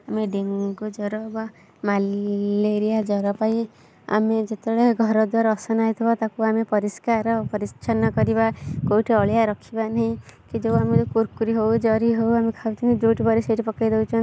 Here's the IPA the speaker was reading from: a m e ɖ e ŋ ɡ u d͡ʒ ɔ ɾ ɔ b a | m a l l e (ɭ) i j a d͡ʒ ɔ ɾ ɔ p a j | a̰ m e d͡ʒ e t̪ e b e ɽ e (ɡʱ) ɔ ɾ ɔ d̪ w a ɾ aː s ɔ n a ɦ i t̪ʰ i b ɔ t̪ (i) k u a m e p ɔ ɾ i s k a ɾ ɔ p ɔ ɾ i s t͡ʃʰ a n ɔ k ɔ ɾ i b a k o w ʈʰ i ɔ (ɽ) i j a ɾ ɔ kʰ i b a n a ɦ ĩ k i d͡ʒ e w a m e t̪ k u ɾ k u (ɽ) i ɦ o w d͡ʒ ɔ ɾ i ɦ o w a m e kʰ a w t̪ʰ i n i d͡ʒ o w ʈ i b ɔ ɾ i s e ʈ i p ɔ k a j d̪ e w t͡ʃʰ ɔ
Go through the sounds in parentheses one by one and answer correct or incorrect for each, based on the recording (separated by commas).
incorrect, correct, incorrect, incorrect, incorrect